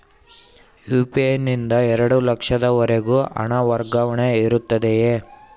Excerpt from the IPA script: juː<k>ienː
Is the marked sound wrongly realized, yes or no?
yes